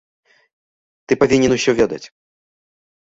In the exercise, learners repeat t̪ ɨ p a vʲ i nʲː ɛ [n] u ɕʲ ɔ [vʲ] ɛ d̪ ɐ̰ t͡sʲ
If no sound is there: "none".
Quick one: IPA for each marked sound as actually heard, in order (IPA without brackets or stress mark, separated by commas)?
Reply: n, vʲ